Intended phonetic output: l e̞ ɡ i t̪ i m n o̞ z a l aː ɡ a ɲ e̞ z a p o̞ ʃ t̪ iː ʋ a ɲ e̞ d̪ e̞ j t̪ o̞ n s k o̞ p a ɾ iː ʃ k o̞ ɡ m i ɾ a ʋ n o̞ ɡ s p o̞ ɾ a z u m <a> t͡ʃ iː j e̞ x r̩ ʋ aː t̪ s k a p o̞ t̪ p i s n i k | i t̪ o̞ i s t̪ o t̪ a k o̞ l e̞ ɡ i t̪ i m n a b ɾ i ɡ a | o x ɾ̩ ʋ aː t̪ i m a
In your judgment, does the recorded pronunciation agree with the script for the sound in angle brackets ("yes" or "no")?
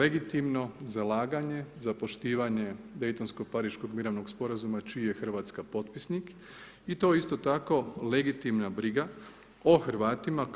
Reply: yes